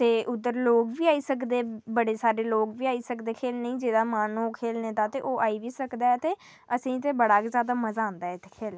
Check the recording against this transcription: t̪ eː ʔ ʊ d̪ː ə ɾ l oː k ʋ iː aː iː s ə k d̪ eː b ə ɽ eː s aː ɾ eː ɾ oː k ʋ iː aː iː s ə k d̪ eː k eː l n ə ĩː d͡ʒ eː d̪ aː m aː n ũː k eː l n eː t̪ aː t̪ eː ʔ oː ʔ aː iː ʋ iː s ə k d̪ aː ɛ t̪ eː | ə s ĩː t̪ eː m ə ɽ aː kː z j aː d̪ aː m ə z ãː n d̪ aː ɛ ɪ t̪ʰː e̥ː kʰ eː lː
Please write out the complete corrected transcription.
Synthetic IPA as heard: t̪ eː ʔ ʊ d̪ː ə ɾ l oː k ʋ iː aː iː s ə k d̪ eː b ə ɽ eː s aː ɾ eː l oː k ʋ iː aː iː s ə k d̪ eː kʰ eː l n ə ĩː d͡ʒ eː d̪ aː m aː n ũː kʰ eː l n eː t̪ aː t̪ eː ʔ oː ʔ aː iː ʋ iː s ə k d̪ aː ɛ t̪ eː | ə s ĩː t̪ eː b ə ɽ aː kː z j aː d̪ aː m ə z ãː n d̪ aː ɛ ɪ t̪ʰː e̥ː kʰ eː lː